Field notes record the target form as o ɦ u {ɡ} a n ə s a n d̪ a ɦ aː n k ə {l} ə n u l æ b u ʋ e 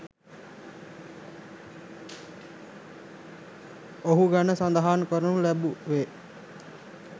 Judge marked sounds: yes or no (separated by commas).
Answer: yes, no